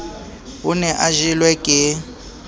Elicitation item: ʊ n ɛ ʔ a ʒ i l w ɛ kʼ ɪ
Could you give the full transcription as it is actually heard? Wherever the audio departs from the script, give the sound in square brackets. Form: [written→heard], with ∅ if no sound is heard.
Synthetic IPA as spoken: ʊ n ɛ ʔ a ʒ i l w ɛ kʼ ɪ